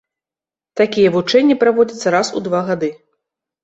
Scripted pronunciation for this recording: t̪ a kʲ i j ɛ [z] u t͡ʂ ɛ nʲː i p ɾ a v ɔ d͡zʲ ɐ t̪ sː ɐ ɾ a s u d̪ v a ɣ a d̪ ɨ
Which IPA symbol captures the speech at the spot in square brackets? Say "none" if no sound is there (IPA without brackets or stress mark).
v